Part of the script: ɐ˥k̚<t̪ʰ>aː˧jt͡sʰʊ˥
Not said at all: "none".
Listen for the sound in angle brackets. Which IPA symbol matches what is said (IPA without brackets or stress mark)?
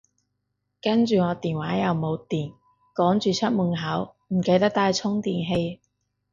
t̪